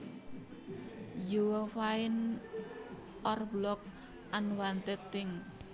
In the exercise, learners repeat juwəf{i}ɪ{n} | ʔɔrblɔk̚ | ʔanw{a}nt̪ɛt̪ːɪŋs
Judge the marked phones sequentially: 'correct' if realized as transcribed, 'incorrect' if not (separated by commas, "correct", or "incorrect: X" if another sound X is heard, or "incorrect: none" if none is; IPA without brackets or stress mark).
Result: incorrect: a, correct, correct